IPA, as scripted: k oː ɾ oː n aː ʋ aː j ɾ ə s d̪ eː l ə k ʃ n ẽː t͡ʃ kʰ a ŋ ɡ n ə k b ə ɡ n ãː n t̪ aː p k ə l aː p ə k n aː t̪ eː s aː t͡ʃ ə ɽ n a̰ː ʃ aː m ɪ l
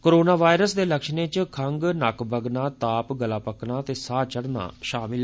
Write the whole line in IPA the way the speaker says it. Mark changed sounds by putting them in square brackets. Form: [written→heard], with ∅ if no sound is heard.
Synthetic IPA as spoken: k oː ɾ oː n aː ʋ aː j ɾ ə s d̪ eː l ə k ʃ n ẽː t͡ʃ kʰ [a→ə] ŋ ɡ n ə k b ə ɡ n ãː [n→∅] t̪ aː p [k→ɡ] ə l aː p ə k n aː t̪ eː s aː t͡ʃ ə ɽ n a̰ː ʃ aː m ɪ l